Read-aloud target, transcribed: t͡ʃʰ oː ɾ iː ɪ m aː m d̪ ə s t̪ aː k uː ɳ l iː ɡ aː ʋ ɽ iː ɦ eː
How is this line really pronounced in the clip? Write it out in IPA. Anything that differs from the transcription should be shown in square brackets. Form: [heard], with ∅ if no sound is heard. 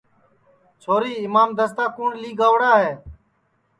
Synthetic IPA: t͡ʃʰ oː ɾ iː ɪ m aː m d̪ ə s t̪ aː k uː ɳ l iː ɡ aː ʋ ɽ [aː] ɦ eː

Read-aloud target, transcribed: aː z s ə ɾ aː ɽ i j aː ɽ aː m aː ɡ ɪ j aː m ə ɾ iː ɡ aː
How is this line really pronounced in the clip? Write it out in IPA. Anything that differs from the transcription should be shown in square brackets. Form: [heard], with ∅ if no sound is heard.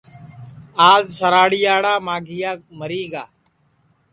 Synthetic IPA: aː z s ə ɾ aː ɽ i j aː ɽ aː m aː ɡ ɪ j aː m ə ɾ iː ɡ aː

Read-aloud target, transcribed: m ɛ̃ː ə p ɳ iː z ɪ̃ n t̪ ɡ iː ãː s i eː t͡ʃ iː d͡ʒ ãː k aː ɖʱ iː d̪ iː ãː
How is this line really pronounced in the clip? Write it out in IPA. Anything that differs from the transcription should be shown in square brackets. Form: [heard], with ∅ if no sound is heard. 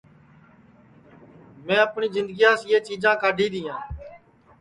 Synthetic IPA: m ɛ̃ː ə p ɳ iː z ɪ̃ n [d̪] ɡ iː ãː s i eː t͡ʃ iː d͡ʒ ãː k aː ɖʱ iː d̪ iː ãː

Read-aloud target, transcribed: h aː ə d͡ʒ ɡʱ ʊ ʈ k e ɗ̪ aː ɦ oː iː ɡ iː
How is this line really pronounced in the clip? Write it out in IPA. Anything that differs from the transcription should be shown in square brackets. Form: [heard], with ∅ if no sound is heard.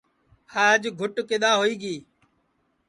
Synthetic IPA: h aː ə d͡ʒ ɡʱ ʊ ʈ k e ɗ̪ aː ɦ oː iː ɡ iː

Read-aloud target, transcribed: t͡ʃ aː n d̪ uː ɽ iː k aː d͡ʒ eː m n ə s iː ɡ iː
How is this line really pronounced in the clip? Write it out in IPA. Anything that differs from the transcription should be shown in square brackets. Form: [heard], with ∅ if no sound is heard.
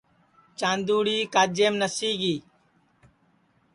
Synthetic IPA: t͡ʃ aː n d̪ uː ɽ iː k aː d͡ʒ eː m n ə s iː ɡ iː

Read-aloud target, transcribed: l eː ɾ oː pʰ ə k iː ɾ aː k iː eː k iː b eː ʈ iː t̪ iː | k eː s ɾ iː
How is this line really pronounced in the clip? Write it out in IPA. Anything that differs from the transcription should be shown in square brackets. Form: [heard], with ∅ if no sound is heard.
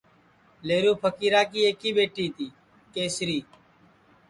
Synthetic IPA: l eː ɾ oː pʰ ə k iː ɾ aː k iː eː k iː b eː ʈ iː t̪ iː | k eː s ɾ iː

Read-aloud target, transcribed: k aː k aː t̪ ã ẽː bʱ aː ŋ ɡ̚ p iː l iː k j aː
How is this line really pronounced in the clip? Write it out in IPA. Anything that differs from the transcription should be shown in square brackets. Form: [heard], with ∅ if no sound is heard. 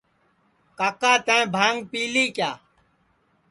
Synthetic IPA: k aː k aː t̪ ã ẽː bʱ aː ŋ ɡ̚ p iː l iː k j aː

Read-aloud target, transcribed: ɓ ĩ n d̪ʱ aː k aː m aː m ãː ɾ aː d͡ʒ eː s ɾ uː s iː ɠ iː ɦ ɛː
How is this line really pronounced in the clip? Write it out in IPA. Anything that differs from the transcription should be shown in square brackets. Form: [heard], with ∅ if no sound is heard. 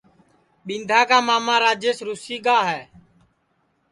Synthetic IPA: ɓ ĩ n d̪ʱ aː k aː m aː m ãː ɾ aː d͡ʒ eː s ɾ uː s iː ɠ [aː] ɦ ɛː

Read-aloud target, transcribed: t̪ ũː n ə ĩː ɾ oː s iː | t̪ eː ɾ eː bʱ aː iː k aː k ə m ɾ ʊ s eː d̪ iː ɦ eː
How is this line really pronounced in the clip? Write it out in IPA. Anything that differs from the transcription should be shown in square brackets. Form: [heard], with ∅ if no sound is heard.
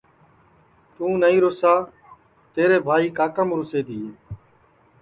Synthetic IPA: t̪ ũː n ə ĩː ɾ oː s [aː] | t̪ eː ɾ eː bʱ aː iː k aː k ə m ɾ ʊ s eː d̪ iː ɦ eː

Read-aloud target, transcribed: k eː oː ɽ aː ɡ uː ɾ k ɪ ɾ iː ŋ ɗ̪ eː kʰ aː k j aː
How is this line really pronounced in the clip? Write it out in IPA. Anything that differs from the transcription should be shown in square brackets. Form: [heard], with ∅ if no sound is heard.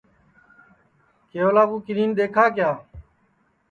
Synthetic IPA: k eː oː [l] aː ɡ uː [∅] k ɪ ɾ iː [n] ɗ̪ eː kʰ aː k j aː

